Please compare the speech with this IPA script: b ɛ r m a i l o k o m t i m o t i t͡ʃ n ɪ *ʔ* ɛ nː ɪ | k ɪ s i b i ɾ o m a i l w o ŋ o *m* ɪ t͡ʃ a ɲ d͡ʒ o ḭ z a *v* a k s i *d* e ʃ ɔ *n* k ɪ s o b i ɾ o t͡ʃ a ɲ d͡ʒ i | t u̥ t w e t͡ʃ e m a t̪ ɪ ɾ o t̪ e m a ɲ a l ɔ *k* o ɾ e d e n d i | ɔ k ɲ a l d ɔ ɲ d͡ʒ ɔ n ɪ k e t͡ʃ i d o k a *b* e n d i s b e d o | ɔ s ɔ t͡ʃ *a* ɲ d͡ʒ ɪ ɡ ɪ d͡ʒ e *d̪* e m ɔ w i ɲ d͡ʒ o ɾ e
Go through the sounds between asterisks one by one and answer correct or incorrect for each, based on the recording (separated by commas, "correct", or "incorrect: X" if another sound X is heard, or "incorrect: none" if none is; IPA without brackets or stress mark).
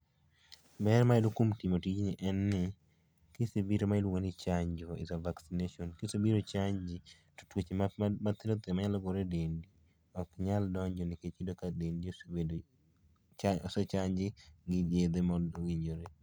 correct, incorrect: n, correct, incorrect: n, correct, incorrect: ɡ, incorrect: d, correct, correct